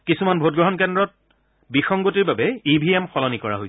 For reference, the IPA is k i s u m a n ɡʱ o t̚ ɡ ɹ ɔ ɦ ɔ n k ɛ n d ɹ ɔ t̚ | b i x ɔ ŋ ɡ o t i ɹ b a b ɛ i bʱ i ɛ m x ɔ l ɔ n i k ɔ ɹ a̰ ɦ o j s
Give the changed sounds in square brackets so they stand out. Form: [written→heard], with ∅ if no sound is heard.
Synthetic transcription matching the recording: k i s u m a n [ɡʱ→bʱ] o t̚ ɡ ɹ ɔ ɦ ɔ n k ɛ n d ɹ ɔ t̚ | b i x ɔ ŋ ɡ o t i ɹ b a b ɛ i bʱ i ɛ m x ɔ l ɔ n i k ɔ ɹ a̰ ɦ o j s